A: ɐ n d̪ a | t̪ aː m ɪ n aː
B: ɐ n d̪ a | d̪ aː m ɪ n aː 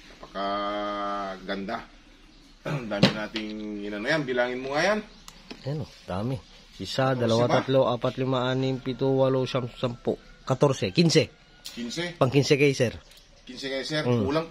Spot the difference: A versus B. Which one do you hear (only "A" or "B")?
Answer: B